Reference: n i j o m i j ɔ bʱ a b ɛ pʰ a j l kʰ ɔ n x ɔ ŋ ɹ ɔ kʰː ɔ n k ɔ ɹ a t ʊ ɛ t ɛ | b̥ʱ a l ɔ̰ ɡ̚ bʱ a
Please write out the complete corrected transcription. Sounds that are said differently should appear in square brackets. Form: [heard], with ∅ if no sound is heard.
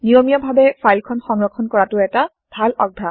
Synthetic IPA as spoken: n i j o m i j ɔ bʱ a b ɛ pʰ a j l kʰ ɔ n x ɔ ŋ ɹ ɔ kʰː ɔ n k ɔ ɹ a t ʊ ɛ t [a] | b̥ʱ a l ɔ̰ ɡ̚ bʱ a

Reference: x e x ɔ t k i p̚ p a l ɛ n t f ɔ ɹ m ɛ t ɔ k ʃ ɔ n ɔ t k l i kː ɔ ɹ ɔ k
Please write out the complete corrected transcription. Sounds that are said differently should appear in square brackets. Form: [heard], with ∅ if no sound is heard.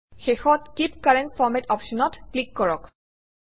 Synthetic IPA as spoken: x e x ɔ t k i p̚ [k] a [ɹ] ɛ n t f ɔ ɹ m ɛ t ɔ [p] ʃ ɔ n ɔ t k l i kː ɔ ɹ ɔ k

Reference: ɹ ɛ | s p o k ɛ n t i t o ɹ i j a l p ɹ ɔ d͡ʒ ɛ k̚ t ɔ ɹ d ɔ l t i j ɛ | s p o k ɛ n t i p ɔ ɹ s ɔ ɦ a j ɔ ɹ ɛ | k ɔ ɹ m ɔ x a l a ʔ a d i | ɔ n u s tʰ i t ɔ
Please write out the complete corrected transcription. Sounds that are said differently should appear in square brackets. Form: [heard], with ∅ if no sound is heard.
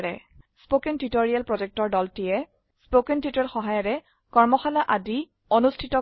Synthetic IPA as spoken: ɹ ɛ | s p o k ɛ n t i t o ɹ i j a l p ɹ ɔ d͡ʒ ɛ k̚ t ɔ ɹ d ɔ l t i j ɛ | s p o k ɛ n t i [t] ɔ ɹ [x] ɔ ɦ a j ɔ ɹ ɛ | k ɔ ɹ m ɔ x a l a ʔ a d i | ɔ n u s tʰ i t ɔ

